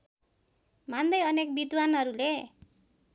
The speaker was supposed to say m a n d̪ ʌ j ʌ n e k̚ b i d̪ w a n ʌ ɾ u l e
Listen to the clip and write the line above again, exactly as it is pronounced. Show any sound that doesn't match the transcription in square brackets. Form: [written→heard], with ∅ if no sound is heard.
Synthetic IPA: m a n d̪ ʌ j ʌ n e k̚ b i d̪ w a n ʌ ɾ u l e